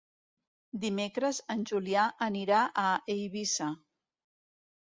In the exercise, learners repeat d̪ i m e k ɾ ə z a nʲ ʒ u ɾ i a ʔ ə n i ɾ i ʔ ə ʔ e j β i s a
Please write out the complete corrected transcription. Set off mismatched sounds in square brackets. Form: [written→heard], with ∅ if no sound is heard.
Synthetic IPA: d̪ i m e k ɾ ə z [a→ə] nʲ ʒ u [ɾ→l] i a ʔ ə n i ɾ [i→a] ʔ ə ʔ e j β i s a